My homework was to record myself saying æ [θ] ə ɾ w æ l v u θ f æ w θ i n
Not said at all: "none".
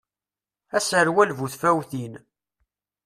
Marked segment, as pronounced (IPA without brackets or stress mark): s